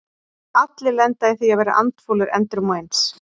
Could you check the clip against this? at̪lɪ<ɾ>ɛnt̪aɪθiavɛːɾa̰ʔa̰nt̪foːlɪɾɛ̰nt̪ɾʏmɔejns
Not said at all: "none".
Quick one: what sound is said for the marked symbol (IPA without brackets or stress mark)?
l